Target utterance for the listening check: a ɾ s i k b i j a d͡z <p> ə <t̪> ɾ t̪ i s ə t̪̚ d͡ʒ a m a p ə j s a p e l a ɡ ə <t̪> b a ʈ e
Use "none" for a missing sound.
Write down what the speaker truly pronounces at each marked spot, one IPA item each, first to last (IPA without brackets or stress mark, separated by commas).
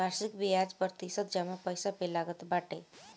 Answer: p, none, t̪